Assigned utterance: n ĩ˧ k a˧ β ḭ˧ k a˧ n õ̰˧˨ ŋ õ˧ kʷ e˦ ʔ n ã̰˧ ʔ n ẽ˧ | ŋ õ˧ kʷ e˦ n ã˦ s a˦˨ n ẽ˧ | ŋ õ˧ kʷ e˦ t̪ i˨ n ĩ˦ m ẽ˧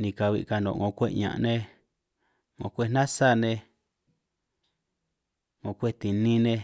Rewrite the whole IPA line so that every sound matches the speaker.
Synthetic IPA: n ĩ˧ k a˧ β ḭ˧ k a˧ n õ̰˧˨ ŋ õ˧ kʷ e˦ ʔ ɲ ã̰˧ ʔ n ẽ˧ | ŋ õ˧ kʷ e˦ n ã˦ s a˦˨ n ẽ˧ | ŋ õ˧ kʷ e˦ t̪ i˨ n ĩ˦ n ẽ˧